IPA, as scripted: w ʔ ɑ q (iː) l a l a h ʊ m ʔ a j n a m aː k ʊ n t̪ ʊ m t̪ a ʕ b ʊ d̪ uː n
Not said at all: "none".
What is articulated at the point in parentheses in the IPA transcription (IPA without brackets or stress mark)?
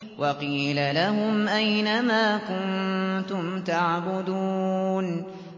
iː